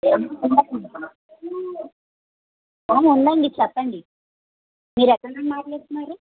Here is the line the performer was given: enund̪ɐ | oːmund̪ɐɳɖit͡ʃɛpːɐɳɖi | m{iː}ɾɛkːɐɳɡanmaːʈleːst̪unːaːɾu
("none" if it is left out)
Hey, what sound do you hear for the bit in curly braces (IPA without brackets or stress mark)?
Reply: iː